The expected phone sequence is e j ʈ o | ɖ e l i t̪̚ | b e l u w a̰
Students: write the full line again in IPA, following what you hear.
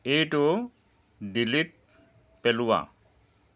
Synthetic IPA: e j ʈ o | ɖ i l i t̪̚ | p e l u w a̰